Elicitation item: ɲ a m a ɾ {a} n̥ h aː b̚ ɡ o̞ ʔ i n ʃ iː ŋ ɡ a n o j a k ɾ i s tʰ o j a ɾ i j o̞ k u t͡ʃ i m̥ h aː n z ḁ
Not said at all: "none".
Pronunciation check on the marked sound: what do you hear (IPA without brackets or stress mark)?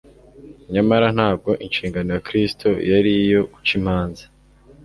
a